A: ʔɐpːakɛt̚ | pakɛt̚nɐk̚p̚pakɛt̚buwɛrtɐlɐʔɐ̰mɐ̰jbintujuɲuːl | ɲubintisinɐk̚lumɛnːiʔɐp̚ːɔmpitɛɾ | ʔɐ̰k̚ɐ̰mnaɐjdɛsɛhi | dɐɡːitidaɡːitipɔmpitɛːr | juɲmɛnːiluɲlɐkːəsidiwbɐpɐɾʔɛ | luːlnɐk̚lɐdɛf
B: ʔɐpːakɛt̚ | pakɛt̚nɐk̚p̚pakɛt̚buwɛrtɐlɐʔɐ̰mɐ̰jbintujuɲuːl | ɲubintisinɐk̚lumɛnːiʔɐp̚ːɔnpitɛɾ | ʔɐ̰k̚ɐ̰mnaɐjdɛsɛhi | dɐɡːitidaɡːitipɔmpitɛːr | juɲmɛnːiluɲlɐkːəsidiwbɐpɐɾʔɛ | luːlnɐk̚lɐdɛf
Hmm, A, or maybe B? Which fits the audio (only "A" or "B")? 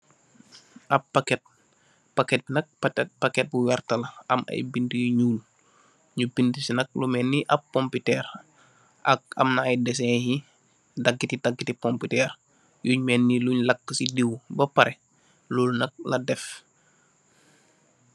A